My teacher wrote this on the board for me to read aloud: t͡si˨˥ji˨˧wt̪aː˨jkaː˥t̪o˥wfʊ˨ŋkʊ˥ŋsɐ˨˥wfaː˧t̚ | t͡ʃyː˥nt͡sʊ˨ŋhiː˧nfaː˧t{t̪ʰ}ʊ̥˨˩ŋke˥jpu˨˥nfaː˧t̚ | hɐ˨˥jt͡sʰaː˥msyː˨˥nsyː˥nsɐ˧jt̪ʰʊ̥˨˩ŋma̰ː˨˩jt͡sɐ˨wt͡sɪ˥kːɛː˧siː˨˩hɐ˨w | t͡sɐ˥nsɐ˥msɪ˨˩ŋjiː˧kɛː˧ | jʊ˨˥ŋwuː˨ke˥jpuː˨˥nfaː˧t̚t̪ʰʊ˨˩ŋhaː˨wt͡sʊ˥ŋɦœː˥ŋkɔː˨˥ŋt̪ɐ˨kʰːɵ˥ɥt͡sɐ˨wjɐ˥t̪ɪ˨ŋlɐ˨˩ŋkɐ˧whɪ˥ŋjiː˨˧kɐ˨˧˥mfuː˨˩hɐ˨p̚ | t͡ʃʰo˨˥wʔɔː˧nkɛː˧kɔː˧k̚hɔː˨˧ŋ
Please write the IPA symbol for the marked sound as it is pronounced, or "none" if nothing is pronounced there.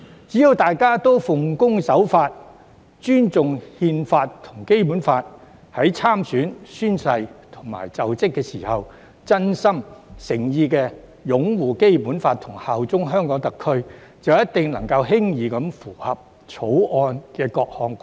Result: t̪ʰ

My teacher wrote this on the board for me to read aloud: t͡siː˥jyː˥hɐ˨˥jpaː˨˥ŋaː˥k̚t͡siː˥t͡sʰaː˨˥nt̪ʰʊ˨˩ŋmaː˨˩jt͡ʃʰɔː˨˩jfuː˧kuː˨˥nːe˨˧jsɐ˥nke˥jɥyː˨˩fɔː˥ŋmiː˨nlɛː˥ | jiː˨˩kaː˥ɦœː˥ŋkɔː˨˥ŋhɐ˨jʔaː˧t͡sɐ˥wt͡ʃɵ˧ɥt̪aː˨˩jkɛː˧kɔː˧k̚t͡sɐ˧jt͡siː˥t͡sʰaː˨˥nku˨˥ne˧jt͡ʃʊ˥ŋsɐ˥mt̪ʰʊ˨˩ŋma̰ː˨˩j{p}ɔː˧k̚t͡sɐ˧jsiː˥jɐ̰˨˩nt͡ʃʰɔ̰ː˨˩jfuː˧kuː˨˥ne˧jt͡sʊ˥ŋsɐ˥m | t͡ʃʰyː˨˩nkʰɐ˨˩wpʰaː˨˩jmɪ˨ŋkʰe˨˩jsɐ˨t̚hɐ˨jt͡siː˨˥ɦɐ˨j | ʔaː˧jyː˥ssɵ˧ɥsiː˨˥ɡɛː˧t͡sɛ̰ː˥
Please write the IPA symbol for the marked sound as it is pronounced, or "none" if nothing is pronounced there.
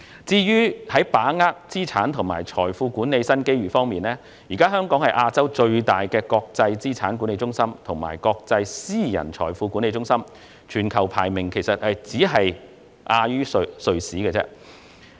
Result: k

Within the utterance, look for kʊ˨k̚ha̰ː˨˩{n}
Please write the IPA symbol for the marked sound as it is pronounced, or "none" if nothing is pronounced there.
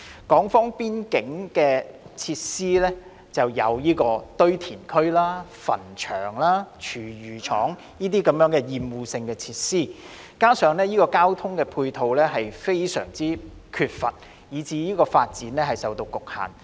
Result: n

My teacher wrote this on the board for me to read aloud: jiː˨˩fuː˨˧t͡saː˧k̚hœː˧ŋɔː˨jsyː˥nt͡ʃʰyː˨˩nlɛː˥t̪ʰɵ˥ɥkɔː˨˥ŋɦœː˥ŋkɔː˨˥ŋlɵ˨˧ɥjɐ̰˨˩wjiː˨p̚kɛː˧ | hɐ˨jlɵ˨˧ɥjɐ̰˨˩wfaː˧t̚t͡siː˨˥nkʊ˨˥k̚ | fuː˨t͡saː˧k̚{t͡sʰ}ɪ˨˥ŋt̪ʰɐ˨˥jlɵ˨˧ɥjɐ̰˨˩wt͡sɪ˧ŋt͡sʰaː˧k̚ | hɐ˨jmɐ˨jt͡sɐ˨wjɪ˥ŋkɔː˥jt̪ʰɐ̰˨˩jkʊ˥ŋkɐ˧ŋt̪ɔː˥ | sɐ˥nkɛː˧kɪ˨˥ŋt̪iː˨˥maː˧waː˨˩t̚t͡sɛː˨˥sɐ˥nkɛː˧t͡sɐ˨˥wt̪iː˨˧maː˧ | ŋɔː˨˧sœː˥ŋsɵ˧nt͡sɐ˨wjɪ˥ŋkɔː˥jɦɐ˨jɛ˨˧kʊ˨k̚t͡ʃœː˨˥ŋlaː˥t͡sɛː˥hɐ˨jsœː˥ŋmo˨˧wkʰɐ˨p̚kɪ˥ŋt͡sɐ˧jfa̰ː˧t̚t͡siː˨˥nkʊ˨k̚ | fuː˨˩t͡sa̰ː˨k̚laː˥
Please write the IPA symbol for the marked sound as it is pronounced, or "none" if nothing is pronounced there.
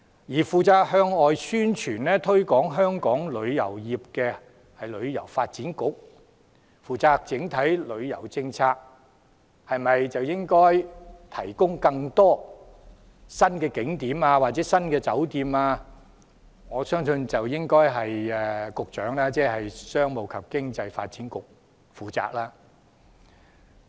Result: t͡s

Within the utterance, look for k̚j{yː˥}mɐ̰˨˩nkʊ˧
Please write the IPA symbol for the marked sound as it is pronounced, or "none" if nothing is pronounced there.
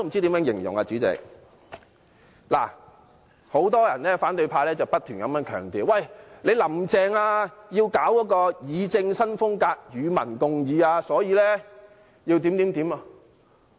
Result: yː˨˧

